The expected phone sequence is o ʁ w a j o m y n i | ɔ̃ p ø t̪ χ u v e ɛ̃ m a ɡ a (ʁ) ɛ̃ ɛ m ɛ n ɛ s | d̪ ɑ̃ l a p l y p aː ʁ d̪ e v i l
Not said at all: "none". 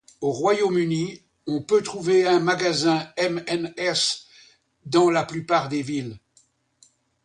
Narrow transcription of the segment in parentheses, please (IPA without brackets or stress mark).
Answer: z